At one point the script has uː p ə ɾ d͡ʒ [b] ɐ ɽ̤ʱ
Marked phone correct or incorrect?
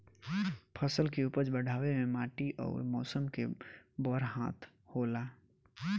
correct